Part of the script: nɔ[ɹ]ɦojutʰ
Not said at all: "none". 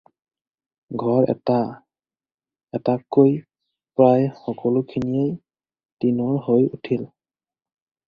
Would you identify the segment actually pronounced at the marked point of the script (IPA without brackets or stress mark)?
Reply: ɹ